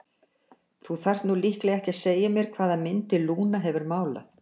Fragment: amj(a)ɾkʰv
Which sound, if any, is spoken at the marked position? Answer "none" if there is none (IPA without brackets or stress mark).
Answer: ɛ